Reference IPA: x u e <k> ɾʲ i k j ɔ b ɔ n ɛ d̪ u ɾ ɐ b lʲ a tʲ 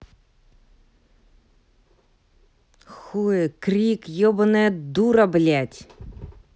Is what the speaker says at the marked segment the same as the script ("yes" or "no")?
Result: yes